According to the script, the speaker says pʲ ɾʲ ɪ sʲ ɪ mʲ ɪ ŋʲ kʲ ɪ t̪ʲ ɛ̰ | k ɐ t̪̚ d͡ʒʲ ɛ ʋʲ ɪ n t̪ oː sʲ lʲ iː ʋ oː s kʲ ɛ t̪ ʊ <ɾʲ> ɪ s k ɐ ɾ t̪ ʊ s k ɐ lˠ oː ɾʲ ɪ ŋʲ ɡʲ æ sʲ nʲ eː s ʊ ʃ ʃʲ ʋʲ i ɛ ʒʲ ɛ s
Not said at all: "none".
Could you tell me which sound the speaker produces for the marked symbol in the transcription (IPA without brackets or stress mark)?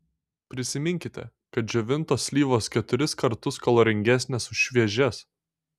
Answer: ɾʲ